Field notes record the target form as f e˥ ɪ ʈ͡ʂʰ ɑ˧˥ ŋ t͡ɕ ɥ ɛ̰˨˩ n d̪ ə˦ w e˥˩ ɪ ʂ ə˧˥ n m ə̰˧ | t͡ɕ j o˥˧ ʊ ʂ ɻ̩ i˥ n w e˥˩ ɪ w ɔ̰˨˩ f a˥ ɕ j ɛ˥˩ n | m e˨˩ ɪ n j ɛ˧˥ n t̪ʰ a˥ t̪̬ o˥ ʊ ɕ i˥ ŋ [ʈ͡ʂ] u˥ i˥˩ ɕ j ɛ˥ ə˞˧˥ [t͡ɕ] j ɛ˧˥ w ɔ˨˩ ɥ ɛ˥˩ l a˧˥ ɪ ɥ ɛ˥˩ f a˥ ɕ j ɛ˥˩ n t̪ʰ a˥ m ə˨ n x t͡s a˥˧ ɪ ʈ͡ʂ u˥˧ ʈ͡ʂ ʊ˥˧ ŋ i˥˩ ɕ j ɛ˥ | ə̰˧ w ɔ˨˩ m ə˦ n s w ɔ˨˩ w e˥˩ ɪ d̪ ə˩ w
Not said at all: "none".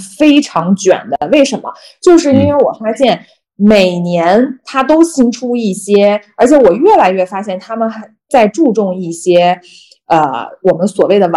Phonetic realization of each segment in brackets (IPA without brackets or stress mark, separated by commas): ʈ͡ʂʰ, t͡ɕʰ